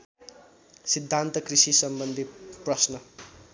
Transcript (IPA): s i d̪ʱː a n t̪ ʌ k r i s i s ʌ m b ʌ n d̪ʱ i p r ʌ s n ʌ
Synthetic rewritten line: s i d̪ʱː a n t̪ ʌ k r i s i s ʌ m b ʌ n d̪ʱ i p r ʌ s n ʌ